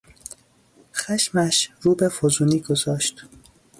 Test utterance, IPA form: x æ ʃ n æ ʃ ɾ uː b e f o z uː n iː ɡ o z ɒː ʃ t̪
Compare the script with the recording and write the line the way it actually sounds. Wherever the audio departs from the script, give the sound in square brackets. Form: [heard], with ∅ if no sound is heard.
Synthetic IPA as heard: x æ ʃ [m] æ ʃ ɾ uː b e f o z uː n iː ɡ o z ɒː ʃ t̪